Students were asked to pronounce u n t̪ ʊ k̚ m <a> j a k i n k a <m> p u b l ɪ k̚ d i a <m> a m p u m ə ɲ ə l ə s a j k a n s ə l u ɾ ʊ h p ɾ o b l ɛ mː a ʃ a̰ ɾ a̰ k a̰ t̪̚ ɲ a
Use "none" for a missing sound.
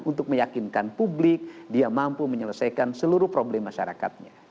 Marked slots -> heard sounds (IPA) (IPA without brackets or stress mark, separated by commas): ə, n, m